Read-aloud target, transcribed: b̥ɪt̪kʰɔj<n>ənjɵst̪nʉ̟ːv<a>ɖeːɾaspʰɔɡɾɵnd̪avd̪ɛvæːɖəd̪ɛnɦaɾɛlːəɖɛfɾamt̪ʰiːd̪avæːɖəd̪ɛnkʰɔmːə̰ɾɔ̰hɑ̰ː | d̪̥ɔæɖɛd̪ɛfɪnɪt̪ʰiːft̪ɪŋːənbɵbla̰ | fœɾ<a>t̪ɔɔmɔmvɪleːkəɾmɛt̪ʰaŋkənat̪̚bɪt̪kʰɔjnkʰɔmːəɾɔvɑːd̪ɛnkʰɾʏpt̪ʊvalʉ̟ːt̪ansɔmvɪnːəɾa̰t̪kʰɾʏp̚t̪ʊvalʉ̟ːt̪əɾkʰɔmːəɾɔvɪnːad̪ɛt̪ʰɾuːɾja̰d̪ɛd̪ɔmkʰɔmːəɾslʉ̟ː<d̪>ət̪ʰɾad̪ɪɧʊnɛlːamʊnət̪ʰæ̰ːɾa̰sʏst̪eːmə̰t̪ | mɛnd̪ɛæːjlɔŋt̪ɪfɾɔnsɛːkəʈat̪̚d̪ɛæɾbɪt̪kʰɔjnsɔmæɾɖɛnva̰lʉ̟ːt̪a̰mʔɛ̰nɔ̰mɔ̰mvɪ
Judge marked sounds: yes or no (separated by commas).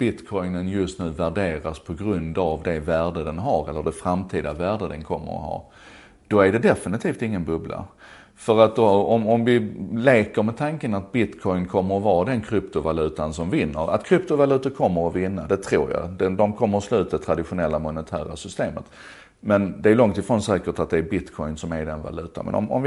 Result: yes, no, yes, no